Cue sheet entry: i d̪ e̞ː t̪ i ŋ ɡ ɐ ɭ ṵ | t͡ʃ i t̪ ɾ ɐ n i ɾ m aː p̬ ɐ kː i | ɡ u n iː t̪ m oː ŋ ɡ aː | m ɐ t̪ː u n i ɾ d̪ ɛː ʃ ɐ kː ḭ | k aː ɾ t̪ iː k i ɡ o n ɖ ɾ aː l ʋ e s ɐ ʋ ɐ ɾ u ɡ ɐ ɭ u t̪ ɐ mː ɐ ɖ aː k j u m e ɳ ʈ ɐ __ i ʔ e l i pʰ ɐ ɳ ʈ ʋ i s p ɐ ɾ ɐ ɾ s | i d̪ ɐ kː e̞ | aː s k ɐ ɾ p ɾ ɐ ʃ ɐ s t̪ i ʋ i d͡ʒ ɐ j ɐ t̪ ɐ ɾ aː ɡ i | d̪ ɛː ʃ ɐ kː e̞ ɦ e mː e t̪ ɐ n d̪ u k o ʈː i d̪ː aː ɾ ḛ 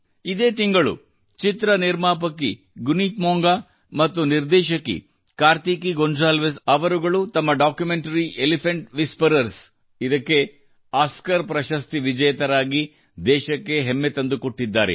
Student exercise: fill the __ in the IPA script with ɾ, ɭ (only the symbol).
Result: ɾ